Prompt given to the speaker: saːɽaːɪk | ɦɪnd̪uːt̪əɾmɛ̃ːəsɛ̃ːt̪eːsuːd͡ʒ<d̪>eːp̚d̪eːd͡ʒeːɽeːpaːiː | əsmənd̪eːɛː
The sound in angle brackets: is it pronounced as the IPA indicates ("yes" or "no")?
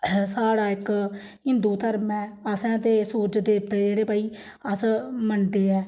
yes